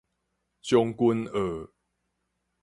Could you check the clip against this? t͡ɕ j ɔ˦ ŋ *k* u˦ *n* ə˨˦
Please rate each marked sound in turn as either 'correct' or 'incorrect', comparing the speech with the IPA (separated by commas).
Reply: correct, correct